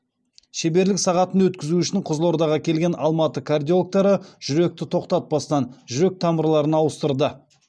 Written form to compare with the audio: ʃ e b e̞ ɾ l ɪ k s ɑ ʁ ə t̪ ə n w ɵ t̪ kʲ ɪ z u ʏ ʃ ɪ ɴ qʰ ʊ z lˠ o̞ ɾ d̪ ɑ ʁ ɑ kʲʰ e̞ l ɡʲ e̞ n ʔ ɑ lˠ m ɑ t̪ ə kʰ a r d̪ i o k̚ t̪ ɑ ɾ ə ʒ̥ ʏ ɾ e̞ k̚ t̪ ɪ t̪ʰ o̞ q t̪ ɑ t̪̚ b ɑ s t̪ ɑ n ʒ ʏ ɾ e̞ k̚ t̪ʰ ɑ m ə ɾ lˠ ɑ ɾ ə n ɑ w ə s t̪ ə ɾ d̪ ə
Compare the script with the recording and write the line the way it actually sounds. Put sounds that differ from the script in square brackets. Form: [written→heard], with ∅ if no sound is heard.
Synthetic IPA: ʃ e b e̞ ɾ l ɪ k s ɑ ʁ [ə→ɑ] t̪ ə n w ɵ t̪ kʲ ɪ z u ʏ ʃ ɪ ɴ qʰ ʊ z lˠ o̞ ɾ d̪ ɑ ʁ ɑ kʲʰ e̞ l ɡʲ e̞ n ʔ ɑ lˠ m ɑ t̪ ə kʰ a r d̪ i o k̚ t̪ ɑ ɾ ə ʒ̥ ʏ ɾ e̞ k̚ t̪ ɪ t̪ʰ o̞ q t̪ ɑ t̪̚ b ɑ s t̪ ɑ n ʒ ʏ ɾ e̞ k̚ t̪ʰ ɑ m ə ɾ lˠ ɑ ɾ ə n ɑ w ə s t̪ ə ɾ d̪ ə